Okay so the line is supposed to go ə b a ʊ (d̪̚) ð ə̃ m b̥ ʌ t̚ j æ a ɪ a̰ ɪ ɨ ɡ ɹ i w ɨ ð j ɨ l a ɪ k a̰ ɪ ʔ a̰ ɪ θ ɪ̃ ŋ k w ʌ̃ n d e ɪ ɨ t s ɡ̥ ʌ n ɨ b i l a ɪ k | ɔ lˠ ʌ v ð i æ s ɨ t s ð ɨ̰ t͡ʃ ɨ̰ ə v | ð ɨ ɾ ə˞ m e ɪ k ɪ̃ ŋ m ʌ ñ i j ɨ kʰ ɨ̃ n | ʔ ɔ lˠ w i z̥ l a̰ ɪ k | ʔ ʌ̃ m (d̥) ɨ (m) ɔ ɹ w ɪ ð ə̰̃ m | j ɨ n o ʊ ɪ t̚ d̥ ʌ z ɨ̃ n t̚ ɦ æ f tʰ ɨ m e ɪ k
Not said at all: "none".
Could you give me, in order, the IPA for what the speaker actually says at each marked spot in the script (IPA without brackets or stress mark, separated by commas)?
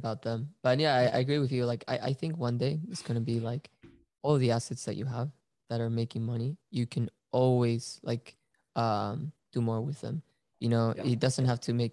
t̪̚, d̥, m